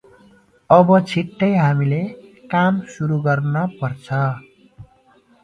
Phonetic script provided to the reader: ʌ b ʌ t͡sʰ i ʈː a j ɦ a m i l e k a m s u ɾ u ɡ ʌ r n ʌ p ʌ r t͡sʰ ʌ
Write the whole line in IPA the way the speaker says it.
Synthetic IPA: ʌ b ʌ t͡sʰ i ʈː ʌ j ɦ a m i l e k a m s u ɾ u ɡ ʌ r n ʌ p ʌ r t͡sʰ ʌ